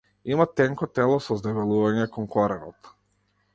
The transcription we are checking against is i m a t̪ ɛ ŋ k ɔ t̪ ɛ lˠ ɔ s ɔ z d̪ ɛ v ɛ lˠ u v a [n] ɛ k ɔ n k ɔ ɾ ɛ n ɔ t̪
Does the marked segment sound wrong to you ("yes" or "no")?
yes